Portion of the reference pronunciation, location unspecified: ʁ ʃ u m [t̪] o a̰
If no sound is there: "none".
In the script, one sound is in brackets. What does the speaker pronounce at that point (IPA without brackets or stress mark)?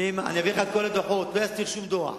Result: d̪